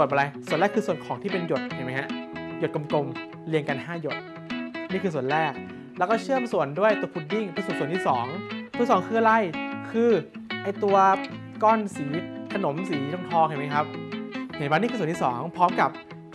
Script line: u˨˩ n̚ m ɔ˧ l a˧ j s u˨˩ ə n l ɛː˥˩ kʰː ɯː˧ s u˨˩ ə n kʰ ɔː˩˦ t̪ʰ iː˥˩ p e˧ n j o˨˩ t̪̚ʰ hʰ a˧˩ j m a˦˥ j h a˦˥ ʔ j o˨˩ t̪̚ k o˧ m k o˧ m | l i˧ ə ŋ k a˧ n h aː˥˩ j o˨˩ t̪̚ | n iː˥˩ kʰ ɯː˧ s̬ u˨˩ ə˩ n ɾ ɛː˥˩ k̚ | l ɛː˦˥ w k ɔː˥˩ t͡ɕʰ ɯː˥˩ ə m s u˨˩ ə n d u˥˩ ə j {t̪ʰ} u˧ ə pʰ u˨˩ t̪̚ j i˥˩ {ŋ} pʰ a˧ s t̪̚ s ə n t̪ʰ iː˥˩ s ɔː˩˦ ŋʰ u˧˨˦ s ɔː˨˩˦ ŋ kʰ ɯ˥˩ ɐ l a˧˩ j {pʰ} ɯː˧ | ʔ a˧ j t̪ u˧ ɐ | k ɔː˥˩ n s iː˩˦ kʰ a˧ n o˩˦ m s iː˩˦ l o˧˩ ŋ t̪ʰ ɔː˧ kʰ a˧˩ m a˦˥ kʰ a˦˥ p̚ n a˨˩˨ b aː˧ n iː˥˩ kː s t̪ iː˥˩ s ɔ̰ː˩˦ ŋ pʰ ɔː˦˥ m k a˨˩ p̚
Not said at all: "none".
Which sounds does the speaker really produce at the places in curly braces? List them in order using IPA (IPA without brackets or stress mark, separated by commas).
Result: t̪, ŋ, kʰ